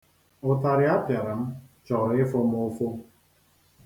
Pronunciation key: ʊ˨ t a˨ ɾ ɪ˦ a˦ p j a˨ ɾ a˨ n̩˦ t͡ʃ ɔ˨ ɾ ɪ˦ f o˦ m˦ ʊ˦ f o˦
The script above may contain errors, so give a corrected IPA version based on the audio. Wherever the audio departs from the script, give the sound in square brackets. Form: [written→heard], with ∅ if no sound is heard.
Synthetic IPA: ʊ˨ t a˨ ɾ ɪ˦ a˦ p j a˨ ɾ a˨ [n̩˦→m̩˦] t͡ʃ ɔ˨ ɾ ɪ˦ f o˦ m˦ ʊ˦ f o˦